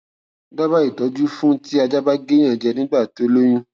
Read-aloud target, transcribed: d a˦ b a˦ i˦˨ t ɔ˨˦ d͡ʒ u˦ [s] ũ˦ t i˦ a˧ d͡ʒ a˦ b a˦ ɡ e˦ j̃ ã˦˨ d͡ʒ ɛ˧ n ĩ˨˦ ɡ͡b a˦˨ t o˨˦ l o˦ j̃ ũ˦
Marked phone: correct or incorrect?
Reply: incorrect